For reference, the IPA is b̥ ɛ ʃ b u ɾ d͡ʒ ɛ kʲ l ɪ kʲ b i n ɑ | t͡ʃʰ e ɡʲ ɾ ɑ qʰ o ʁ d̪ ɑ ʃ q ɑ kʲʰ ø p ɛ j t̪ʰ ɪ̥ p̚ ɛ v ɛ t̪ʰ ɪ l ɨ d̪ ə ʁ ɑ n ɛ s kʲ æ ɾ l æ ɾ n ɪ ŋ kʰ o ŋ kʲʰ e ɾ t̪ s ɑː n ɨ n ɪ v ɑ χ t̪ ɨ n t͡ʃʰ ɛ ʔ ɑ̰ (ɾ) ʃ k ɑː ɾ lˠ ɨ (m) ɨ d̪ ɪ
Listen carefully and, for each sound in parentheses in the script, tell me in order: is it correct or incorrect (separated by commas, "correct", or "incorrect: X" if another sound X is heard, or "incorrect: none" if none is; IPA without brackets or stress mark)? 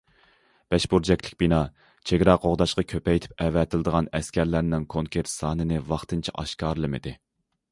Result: incorrect: none, correct